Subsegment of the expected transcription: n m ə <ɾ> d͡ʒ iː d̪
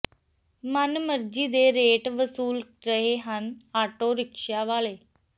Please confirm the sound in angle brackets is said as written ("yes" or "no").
yes